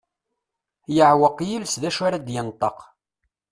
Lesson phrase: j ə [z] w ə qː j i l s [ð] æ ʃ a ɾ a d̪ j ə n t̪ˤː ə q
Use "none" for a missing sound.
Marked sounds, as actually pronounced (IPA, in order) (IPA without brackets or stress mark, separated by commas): ʕ, ð